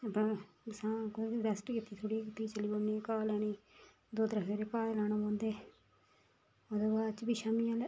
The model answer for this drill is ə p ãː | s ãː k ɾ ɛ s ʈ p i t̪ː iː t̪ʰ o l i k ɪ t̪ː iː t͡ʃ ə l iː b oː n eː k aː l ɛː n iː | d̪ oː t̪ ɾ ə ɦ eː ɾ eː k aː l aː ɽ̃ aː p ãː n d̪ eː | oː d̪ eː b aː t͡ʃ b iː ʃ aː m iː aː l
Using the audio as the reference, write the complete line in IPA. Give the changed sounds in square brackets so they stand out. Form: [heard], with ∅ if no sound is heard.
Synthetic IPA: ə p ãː | s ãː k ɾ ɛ s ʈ [k] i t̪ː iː t̪ʰ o [ɽ] i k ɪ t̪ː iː t͡ʃ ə l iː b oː n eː k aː l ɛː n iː | d̪ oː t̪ ɾ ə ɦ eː ɾ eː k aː l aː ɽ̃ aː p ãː n d̪ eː | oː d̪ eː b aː t͡ʃ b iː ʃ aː m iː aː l